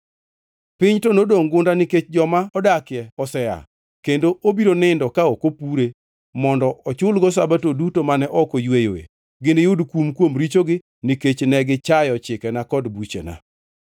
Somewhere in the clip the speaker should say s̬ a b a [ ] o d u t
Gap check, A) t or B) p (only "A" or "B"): A